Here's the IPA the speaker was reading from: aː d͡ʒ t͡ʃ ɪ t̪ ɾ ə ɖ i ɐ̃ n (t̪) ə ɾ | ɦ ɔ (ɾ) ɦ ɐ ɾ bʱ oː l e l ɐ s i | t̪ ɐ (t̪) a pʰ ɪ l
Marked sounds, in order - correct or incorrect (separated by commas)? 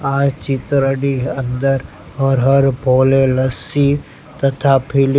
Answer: incorrect, correct, incorrect